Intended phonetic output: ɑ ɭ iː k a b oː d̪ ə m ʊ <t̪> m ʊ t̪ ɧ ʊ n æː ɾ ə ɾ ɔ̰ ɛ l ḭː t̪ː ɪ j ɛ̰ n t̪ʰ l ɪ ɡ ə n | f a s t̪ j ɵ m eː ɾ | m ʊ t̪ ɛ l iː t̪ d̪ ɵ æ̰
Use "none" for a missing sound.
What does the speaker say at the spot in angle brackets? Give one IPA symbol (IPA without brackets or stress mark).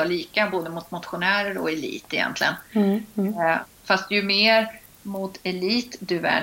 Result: t̪